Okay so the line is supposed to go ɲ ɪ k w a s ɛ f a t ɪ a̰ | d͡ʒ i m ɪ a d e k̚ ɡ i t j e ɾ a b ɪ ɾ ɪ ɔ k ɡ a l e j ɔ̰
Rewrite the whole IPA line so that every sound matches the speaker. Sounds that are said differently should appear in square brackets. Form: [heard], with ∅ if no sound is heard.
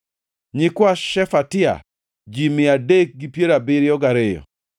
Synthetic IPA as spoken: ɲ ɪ k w a [ʃ] ɛ f a t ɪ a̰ | d͡ʒ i m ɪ a d e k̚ ɡ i [p] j e ɾ a b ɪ ɾ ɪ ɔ [∅] ɡ a [ɾ] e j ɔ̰